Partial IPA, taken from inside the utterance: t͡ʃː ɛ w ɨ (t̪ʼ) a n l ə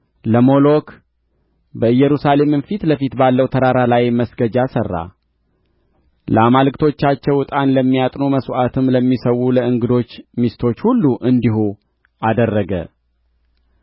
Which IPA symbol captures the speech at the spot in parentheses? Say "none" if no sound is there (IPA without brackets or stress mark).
t̪ʼ